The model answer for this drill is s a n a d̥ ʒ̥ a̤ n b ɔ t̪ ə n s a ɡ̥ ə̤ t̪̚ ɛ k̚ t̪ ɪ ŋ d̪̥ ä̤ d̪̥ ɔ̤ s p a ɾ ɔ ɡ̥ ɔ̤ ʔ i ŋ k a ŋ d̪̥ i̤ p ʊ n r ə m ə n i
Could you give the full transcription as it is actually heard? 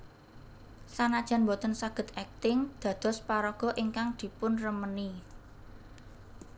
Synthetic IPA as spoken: s a n a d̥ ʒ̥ a̤ n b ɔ t̪ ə n s a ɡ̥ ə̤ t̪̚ ɛ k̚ t̪ ɪ ŋ d̪̥ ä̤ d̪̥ ɔ̤ s p a ɾ ɔ ɡ̥ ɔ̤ ʔ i ŋ k a ŋ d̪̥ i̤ p ʊ n r ə m ə n i